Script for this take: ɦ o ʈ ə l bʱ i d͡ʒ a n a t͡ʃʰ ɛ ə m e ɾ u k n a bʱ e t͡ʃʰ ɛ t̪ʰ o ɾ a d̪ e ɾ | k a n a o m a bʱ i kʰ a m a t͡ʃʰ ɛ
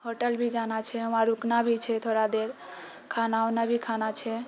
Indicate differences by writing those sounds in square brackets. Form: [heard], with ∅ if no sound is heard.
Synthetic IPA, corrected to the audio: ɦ o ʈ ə l bʱ i d͡ʒ a n a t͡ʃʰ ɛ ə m [a] ɾ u k n a bʱ [i] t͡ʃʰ ɛ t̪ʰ o ɾ a d̪ e ɾ | [kʰ] a n a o [n] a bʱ i kʰ a [n] a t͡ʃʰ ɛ